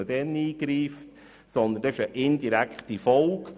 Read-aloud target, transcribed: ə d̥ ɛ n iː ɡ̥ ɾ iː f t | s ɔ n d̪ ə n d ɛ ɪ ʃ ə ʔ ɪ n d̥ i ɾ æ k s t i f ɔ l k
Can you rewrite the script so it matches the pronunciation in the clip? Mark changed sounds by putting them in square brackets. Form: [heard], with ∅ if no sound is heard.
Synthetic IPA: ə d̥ ɛ n iː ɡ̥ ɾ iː f t | s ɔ n d̪ ə n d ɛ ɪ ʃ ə ʔ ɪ n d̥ i ɾ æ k [χ] t i f ɔ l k